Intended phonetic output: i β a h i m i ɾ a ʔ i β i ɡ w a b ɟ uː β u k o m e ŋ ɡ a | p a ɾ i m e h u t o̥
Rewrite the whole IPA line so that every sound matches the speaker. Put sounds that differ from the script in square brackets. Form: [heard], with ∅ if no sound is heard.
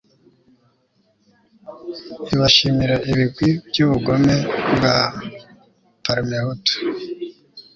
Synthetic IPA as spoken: i β a [ʃ] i m i ɾ a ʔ i β i ɡ w [i] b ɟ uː β u [ɡ] o m e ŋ ɡ a | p a ɾ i m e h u t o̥

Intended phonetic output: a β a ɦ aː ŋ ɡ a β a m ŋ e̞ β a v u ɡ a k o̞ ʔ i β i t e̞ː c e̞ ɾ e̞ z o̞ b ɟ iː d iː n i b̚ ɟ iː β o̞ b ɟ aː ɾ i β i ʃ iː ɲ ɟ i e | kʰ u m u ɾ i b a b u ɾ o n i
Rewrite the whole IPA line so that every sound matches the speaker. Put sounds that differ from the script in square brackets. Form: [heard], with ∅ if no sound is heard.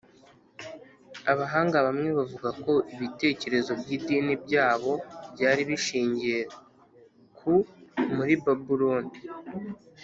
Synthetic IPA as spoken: a β a ɦ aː ŋ ɡ a β a m ŋ e̞ β a v u ɡ a k o̞ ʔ i β i t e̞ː c e̞ ɾ e̞ z o̞ b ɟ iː d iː n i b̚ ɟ [aː] β o̞ b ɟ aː ɾ i β i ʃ iː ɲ ɟ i e | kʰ u m u ɾ i b a b u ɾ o n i

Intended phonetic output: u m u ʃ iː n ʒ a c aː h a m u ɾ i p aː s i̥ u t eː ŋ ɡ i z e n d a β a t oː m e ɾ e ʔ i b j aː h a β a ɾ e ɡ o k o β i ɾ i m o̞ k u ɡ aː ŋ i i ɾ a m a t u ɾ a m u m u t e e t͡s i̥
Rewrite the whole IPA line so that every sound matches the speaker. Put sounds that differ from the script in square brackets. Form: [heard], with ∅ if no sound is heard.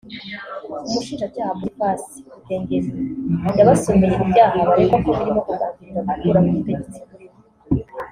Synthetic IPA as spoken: u m u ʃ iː n ʒ a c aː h a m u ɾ i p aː s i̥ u t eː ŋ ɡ [e] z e n d a β a [s] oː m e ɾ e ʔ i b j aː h a β a ɾ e [k] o k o β i ɾ i m o̞ k u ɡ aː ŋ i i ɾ a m a t u ɾ a m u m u t e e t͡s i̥

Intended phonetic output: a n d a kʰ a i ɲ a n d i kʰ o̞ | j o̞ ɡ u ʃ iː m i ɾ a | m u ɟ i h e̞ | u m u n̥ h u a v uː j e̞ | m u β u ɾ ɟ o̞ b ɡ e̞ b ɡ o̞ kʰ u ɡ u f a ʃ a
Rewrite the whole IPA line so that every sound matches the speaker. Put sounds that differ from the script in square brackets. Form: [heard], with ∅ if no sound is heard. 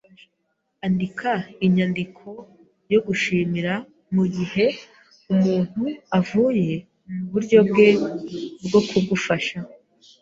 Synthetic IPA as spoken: a n d [i] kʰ a i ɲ a n d i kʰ o̞ | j o̞ ɡ u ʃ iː m i ɾ a | m u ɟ i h e̞ | u m [uː] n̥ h u a v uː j e̞ | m u β u ɾ ɟ o̞ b ɡ e̞ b ɡ o̞ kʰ u ɡ u f a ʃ a

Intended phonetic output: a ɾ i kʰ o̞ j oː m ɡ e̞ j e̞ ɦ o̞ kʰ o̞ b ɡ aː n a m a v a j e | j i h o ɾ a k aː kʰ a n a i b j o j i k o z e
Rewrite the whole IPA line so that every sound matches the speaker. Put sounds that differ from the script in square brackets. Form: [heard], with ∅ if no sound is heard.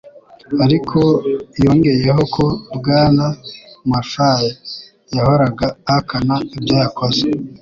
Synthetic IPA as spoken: a ɾ i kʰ o̞ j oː [ŋ] ɡ e̞ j e̞ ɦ o̞ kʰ o̞ b ɡ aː n a m a [f] a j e | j [a] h o ɾ a [ɡ] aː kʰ a n a i b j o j [a] k o z e

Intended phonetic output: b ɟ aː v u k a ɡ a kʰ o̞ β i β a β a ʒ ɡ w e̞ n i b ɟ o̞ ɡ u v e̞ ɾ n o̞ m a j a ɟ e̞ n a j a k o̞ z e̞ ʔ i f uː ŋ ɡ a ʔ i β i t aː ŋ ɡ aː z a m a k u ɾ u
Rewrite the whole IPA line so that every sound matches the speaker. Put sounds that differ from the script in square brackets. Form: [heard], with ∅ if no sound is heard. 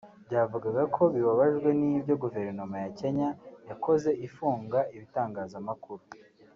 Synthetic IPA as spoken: b ɟ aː v u [ɡ] a ɡ a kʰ o̞ β i β a β a ʒ ɡ w e̞ n i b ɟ o̞ ɡ u v e̞ ɾ n o̞ m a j a [c] e̞ [ɲ] a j a k o̞ z e̞ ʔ i f uː ŋ ɡ a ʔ i β i t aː ŋ ɡ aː z a m a k u ɾ u

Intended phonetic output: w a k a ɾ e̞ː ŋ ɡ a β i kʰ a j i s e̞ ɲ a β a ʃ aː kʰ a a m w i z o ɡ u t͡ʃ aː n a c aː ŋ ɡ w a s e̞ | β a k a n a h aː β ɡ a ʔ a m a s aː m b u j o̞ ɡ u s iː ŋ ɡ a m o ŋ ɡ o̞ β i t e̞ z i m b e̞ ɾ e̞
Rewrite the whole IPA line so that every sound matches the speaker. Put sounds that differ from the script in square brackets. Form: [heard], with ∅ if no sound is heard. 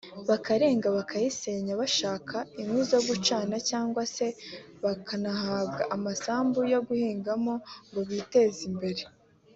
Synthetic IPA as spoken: [β] a k a ɾ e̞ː ŋ ɡ a β [a] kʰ a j i s e̞ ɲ a β a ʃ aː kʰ a [i] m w i z o ɡ u t͡ʃ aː n a c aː ŋ ɡ w a s e̞ | β a k a n a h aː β ɡ a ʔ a m a s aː m b u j o̞ ɡ u [h] iː ŋ ɡ a m o ŋ ɡ o̞ β i t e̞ z i m b e̞ ɾ e̞

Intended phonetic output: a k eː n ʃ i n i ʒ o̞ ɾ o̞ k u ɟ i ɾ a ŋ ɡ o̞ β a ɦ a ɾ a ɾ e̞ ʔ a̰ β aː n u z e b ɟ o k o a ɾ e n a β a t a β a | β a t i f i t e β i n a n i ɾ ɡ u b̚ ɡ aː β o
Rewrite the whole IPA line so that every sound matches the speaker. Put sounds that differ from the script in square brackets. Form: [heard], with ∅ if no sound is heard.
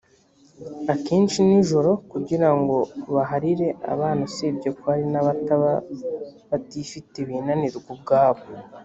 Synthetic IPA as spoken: a k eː n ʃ i n i ʒ o̞ ɾ o̞ k u ɟ i ɾ a ŋ ɡ o̞ β a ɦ a ɾ [i] ɾ e̞ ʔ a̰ β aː n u [s] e b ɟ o k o a ɾ [i] n a β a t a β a | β a t i f i t e β i n a n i ɾ ɡ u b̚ ɡ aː β o

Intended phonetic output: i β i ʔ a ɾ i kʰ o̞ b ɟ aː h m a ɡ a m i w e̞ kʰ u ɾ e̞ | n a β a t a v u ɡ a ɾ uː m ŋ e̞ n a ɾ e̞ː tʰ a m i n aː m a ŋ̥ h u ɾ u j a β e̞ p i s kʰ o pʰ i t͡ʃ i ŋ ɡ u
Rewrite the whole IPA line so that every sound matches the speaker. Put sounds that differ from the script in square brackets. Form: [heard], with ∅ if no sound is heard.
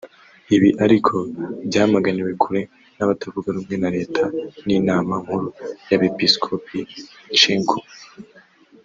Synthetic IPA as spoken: i β i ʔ a ɾ i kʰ o̞ b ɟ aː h m a ɡ a [n] i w e̞ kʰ u ɾ e̞ | n a β a t a v u ɡ a ɾ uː m ŋ e̞ n a ɾ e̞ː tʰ a [n] i n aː m a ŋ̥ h u ɾ u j a β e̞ p i s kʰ o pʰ i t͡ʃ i ŋ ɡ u

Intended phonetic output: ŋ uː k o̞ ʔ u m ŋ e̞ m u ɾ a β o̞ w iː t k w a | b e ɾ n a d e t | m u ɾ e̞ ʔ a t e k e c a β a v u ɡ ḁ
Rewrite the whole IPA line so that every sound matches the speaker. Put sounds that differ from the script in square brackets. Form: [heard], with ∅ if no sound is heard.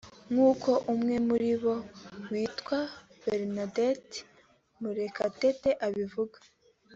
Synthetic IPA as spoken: ŋ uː k o̞ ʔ u m ŋ e̞ m u ɾ [i] β o̞ w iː t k w a | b e ɾ n a d e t | m u ɾ e̞ [k] a t e [t] e [ʔ] a β [i] v u ɡ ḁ

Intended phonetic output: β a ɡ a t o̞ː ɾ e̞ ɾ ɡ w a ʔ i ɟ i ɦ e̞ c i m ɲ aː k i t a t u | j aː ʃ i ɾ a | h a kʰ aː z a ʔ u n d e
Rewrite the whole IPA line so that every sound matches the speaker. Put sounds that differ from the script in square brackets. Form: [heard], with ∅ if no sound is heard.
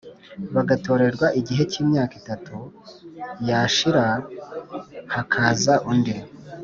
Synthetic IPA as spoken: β a ɡ a t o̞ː ɾ e̞ ɾ ɡ w a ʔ i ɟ i ɦ e̞ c [iː] m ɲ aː k i t a t u | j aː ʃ i ɾ a | h a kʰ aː z a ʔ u n d e

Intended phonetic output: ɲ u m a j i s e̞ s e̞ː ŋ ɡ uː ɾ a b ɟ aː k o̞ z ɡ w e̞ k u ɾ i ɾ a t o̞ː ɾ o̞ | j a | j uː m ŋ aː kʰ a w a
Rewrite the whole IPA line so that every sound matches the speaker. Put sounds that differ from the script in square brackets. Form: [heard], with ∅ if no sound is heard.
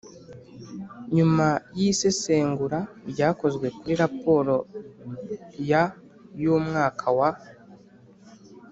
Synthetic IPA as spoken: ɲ u m a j i s e̞ s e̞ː ŋ ɡ [u] ɾ a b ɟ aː k o̞ z ɡ w e̞ k u ɾ i ɾ a [p] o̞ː ɾ o̞ | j a | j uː m ŋ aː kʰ a w a

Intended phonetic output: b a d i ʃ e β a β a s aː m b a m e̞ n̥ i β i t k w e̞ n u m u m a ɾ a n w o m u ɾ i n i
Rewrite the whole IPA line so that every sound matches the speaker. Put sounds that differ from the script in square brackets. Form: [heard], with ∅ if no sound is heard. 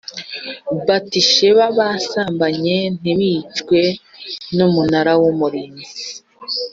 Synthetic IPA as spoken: b a [t] i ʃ e β a β a s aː m b a [ɲ] e̞ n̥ i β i [t͡ʃ] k w e̞ n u m u [n] a ɾ a [∅] w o m u ɾ i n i

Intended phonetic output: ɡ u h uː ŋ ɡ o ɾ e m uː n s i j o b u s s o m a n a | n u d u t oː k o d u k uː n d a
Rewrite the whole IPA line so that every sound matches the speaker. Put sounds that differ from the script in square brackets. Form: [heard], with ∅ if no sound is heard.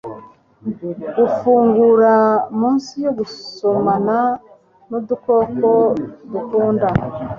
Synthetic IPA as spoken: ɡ u [f] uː ŋ ɡ [u] ɾ [a] m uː n s i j o [ɡ] u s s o m a n a | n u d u [k] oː k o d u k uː n d a

